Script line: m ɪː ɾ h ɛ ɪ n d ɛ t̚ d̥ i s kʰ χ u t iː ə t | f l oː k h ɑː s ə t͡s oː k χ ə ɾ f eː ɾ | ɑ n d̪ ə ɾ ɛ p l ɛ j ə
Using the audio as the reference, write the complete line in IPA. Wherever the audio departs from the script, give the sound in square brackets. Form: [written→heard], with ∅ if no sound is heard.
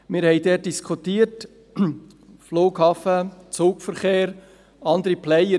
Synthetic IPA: m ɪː ɾ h ɛ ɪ [n→∅] d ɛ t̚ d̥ i s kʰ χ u t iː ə t | f l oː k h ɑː [s→f] ə t͡s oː k [χ→f] ə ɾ [f→χ] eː ɾ | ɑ n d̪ ə ɾ [ɛ→i] p l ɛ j ə